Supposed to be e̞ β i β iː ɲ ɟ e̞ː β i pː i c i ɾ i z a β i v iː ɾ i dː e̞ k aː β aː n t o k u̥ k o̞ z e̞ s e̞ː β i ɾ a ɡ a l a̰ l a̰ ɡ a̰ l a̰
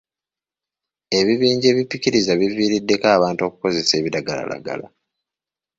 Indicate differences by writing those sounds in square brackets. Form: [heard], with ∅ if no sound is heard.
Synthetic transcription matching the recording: e̞ β i β iː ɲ ɟ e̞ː β i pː i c i ɾ i z a β i v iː ɾ i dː e̞ k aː β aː n t o k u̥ k o̞ z e̞ s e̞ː β i ɾ a ɡ a l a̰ l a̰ ɡ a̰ l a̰